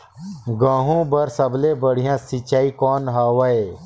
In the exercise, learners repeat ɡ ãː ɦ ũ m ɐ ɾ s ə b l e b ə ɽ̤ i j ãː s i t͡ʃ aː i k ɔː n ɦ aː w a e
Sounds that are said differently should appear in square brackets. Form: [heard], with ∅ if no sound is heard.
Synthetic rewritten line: ɡ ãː ɦ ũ [b] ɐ ɾ s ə b l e b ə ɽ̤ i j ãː s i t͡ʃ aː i k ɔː n ɦ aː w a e